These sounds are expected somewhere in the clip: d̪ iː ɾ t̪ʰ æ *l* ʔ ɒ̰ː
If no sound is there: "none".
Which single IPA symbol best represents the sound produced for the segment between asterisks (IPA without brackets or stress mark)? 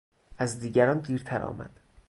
ɾ